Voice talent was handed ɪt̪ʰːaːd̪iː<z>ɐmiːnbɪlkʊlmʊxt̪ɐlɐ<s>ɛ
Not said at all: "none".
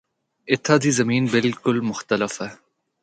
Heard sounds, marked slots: z, f

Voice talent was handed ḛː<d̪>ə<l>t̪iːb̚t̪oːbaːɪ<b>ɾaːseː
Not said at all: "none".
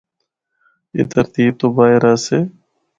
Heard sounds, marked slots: t̪, ɾ, none

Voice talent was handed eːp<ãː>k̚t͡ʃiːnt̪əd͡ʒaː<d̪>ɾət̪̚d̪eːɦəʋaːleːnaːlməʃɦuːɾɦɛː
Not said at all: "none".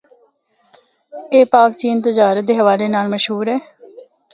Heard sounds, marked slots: aː, none

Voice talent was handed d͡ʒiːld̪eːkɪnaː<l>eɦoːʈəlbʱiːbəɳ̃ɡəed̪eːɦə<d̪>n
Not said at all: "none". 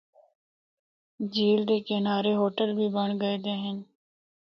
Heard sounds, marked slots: ɾ, none

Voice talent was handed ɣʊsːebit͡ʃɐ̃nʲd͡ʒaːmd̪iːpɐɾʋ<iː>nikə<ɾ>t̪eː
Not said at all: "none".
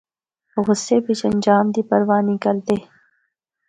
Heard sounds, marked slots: aː, l

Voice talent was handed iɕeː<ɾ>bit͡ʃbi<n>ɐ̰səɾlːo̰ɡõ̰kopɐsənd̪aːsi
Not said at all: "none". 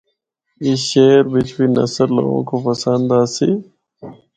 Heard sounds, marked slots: ɾ, n

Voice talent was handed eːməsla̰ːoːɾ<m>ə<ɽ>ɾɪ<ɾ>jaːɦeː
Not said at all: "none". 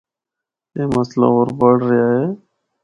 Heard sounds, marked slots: b, ɽ, none

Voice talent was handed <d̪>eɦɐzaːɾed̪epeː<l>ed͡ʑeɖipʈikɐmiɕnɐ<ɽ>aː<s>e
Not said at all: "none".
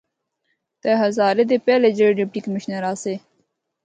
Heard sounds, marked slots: t̪, l, ɾ, s

